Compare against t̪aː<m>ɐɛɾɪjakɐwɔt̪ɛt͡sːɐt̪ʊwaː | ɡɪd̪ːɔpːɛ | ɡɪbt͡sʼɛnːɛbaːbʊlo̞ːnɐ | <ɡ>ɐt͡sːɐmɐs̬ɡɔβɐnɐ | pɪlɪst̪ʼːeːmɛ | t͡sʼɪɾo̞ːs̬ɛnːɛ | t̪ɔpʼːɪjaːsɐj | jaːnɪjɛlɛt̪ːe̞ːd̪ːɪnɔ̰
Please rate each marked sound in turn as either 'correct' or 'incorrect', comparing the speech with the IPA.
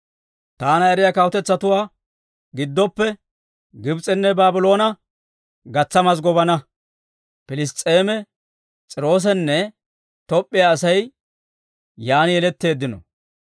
incorrect, correct

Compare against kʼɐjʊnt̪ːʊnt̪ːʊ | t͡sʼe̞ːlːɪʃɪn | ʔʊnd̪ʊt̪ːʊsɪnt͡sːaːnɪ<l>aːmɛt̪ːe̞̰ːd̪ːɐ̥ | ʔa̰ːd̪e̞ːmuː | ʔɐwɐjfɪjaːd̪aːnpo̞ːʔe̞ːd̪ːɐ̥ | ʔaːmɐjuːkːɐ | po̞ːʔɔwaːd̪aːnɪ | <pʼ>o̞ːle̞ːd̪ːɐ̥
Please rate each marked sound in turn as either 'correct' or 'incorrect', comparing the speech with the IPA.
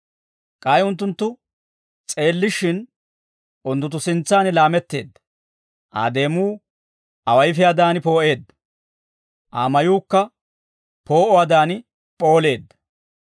correct, correct

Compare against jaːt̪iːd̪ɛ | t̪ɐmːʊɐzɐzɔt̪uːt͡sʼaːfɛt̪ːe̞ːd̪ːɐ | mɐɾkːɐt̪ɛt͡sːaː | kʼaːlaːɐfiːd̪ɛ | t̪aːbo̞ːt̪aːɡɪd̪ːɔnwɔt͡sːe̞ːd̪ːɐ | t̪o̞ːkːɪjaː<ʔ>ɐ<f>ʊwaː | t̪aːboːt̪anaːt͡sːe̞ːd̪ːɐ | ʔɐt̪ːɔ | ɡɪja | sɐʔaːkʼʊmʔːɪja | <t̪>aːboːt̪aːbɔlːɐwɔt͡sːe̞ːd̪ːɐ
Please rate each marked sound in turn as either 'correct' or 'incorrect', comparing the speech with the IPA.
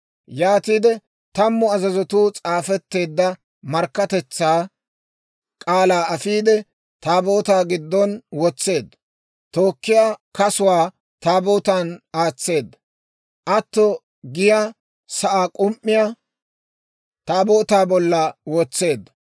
incorrect, incorrect, correct

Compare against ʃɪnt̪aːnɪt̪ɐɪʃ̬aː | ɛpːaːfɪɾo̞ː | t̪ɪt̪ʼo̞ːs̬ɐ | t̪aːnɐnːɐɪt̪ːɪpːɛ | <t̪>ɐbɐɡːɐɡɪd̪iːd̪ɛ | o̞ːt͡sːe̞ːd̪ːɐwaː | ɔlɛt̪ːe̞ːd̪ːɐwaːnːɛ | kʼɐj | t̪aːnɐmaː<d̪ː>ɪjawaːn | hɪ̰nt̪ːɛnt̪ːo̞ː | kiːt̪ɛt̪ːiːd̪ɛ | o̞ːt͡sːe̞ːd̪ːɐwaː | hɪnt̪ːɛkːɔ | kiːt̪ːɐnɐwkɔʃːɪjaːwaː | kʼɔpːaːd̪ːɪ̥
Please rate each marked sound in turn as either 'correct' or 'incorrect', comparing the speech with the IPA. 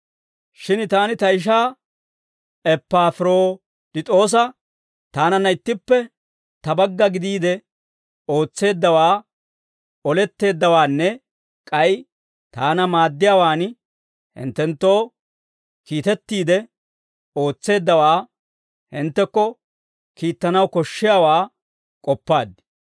correct, correct

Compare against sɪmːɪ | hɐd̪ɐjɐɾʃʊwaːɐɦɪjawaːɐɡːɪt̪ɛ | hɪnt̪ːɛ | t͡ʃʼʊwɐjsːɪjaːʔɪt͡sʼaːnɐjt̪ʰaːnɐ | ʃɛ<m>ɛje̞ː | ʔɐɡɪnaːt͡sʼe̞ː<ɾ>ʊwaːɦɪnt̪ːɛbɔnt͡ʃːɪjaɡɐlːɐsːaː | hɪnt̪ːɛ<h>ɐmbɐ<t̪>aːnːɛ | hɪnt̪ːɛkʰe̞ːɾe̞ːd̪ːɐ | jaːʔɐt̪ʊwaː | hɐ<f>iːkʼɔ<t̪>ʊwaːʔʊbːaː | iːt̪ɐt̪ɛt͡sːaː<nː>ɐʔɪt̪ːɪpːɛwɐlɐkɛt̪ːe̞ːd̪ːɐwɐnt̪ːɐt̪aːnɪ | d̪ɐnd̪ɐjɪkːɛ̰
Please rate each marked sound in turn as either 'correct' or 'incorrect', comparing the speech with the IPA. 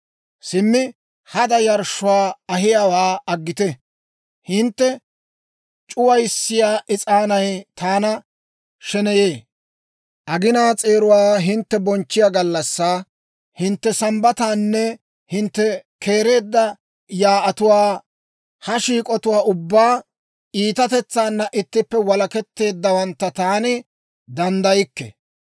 incorrect, correct, incorrect, correct, incorrect, correct, correct

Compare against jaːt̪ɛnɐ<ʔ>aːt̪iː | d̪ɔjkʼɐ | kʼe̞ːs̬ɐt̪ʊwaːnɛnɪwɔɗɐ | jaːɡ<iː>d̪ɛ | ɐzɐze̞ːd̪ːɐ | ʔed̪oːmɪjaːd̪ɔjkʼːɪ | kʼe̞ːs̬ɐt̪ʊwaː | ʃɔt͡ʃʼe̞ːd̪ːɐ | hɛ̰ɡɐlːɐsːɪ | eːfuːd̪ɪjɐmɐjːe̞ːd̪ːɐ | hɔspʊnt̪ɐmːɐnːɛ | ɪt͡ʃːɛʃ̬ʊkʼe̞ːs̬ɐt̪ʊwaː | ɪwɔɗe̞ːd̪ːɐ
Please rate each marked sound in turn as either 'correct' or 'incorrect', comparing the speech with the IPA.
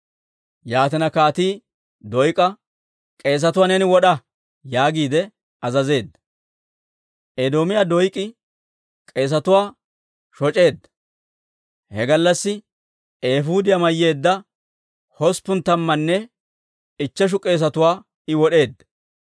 incorrect, correct

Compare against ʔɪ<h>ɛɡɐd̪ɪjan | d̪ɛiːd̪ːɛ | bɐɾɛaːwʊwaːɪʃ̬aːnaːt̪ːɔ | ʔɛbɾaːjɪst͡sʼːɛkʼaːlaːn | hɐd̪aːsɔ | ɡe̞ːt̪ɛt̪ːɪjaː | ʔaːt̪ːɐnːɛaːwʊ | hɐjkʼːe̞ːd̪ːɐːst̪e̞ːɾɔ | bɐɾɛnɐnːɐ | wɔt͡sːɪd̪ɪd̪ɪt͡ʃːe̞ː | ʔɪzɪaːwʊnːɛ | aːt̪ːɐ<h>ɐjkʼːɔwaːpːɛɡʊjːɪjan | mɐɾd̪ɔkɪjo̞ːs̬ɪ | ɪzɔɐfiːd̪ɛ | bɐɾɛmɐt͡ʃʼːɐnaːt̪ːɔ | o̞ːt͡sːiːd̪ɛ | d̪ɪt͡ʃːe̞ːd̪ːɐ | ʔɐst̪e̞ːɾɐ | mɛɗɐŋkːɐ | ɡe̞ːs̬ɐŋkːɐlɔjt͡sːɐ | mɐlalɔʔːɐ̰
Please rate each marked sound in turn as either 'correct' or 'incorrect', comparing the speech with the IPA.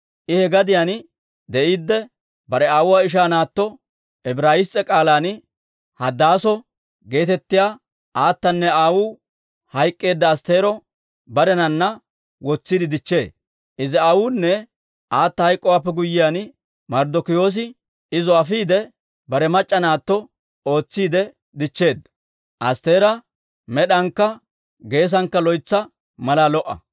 correct, correct

